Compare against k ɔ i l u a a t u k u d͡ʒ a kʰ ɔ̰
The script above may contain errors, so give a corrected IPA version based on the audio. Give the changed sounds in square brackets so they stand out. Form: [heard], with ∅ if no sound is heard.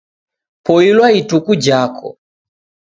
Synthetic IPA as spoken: [p] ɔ i l [w] a [i] t u k u d͡ʒ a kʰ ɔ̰